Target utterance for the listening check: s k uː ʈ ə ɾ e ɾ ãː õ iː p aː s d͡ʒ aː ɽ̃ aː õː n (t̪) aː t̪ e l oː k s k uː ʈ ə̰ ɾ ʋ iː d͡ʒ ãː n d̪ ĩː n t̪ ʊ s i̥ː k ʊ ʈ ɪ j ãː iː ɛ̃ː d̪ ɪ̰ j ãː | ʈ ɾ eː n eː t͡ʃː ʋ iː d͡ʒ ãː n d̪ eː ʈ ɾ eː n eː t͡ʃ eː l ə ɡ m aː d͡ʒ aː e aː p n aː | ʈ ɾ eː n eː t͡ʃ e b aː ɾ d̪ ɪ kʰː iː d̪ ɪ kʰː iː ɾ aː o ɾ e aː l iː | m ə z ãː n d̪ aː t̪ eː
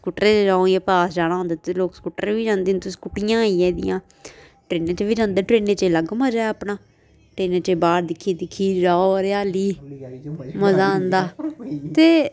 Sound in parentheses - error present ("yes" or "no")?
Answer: yes